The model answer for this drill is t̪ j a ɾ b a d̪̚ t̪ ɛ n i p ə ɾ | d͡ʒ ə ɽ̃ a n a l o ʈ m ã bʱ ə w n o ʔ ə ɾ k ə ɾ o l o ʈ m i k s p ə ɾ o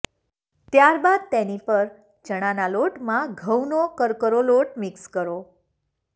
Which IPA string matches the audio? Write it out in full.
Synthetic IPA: t̪ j a ɾ b a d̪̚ t̪ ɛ n i p ə ɾ | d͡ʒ ə ɽ̃ a n a l o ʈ m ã ɡʱ ə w n o k ə ɾ k ə ɾ o l o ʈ m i k s k ə ɾ o